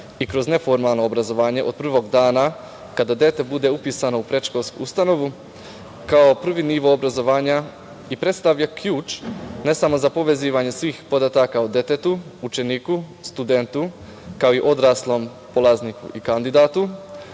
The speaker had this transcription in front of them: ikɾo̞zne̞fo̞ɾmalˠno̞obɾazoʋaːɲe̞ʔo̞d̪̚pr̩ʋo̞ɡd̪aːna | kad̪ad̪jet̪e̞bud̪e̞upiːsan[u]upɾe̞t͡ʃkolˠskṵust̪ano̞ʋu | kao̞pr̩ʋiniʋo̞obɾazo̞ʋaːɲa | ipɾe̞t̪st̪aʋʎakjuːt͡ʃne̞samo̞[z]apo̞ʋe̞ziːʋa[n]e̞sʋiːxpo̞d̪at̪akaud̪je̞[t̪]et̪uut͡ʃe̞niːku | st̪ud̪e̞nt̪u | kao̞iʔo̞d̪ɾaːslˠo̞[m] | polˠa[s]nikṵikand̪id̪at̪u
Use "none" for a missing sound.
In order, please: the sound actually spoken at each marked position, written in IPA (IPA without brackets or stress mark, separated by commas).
o, z, ɲ, t̪, m, z